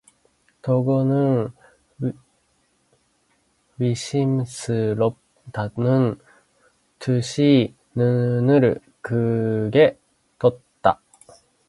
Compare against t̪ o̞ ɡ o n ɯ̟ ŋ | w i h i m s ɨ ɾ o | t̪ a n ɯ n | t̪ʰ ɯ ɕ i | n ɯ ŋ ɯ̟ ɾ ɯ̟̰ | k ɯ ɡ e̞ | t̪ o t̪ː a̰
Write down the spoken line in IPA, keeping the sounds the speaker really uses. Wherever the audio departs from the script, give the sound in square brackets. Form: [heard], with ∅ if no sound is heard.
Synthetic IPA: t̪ o̞ ɡ o n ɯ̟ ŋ | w i [ɕ] i m s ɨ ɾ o | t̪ a n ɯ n | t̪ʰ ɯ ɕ i | n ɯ [n] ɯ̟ ɾ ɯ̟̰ | k ɯ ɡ e̞ | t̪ o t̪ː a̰